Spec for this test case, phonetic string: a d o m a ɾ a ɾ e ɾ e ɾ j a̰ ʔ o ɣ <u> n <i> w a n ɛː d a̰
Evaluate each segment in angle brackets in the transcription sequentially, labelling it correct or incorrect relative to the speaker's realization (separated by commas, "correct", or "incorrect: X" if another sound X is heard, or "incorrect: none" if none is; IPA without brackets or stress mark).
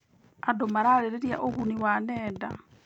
correct, correct